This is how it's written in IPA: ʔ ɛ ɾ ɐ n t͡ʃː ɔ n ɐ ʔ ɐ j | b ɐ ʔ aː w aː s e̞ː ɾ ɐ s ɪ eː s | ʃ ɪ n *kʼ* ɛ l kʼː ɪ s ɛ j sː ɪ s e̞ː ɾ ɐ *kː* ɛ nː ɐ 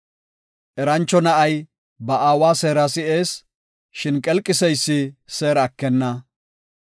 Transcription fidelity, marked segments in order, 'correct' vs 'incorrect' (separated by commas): correct, correct